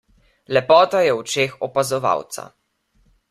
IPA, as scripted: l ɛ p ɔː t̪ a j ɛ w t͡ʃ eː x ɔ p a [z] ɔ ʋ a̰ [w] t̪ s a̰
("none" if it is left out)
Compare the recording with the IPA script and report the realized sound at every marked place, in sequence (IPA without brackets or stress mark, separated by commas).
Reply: z, w